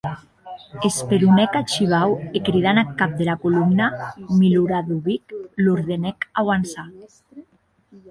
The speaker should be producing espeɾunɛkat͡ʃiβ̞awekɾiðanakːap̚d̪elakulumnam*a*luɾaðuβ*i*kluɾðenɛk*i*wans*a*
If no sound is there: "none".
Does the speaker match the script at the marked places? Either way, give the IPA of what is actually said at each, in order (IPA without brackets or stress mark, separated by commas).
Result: i, i, a, a